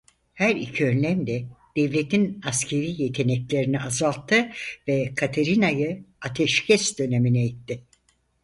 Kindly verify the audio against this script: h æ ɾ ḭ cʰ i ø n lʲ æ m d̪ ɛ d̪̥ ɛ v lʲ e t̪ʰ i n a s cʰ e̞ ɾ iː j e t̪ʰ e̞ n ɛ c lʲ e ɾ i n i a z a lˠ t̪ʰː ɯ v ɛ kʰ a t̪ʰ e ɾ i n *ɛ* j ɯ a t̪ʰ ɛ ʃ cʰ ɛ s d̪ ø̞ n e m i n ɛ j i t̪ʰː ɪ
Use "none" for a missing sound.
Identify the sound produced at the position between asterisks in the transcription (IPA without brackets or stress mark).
a